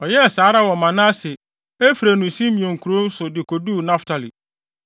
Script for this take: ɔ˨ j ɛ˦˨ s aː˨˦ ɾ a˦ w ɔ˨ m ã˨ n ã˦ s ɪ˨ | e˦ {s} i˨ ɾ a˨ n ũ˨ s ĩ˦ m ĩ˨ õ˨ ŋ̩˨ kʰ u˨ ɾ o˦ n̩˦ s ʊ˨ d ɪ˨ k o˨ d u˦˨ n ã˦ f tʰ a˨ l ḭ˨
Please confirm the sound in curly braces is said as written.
no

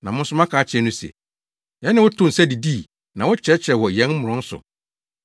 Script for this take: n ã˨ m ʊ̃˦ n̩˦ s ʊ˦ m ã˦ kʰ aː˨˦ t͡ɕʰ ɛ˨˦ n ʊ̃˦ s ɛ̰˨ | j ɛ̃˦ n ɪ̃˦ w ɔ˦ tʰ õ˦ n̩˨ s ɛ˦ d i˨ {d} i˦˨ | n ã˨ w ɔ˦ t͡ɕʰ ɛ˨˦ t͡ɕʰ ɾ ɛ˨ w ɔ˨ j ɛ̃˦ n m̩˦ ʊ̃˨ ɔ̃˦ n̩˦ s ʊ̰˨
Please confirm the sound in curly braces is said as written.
yes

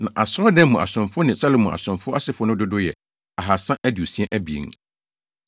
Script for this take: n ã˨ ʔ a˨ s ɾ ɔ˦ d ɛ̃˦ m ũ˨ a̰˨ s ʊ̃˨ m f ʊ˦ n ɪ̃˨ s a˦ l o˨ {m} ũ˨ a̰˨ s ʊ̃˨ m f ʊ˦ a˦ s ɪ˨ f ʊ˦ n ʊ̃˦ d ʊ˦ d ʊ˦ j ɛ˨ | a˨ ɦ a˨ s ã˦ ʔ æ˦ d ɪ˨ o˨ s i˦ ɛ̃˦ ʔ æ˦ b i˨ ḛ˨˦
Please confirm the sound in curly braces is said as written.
yes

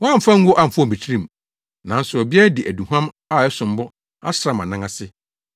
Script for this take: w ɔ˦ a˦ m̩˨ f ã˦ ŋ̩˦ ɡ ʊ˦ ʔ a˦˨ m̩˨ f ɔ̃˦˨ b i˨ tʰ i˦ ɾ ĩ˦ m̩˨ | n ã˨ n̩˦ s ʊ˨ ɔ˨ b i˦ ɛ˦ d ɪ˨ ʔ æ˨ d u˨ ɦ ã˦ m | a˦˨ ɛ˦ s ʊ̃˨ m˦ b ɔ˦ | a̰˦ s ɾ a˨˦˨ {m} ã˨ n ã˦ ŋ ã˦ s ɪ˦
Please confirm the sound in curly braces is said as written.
yes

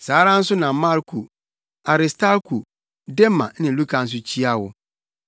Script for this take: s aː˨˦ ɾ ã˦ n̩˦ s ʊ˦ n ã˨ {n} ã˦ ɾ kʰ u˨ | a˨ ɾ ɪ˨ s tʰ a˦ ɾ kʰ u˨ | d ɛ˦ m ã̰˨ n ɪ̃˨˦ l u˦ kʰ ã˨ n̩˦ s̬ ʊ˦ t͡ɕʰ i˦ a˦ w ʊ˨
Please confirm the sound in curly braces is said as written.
no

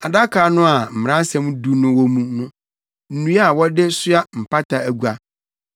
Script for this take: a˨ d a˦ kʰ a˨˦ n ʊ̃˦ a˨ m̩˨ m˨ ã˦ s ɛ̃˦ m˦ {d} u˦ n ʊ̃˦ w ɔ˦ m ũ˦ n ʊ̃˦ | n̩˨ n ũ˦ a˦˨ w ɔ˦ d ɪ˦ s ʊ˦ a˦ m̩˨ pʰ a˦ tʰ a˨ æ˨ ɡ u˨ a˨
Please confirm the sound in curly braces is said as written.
yes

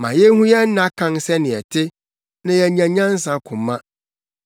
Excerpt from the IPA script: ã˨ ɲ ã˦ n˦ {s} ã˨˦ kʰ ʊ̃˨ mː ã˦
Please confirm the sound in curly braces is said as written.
yes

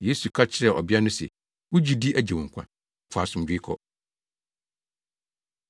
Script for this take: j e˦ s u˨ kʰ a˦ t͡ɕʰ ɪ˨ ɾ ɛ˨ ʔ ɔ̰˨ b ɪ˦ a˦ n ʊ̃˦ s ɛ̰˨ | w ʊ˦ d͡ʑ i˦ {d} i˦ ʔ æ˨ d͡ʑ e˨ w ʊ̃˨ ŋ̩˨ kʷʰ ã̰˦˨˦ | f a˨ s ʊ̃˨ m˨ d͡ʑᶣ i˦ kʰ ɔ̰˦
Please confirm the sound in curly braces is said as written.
yes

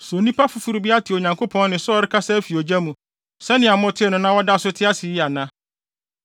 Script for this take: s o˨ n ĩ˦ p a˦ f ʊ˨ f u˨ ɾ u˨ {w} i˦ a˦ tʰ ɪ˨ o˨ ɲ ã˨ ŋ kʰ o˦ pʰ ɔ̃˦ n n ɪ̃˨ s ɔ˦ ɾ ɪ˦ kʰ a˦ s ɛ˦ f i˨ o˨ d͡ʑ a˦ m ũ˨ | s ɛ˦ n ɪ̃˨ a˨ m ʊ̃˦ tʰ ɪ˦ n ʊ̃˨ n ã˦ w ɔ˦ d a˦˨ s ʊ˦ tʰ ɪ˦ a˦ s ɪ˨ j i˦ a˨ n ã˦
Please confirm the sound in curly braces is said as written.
no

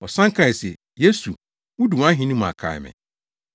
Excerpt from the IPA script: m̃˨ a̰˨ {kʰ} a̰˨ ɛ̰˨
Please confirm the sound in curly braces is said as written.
yes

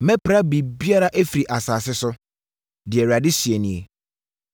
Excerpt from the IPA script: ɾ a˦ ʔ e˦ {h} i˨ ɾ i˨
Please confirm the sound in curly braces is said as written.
no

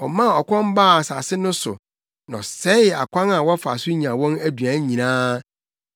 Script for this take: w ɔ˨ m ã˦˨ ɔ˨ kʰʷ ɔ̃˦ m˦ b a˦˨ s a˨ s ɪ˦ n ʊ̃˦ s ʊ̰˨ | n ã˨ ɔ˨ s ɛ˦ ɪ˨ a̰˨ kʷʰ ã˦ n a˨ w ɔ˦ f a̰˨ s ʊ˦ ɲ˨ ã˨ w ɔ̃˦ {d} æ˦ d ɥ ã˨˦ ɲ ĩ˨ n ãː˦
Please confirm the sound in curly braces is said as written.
no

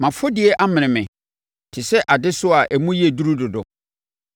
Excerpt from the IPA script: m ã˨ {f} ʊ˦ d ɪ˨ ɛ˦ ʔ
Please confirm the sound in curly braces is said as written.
yes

